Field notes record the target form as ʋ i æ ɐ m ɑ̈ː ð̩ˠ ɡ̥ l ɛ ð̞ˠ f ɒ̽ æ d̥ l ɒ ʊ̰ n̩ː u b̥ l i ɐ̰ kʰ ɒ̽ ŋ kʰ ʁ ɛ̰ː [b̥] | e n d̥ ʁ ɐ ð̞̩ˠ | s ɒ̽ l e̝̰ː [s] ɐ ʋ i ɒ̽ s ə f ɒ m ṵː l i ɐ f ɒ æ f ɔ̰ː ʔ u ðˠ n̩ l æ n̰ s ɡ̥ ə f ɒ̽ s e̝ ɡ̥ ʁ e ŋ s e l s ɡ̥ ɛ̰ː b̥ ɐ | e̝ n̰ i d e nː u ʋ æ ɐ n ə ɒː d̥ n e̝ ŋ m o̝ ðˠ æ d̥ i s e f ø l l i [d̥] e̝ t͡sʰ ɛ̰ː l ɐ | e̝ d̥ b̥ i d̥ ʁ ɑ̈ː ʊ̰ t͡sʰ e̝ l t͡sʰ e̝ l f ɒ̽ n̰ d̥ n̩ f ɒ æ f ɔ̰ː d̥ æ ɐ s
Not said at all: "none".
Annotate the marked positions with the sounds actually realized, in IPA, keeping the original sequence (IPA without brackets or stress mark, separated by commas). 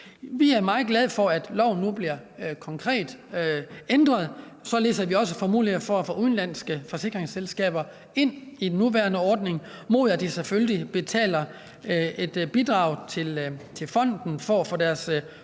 d̥, s, b̥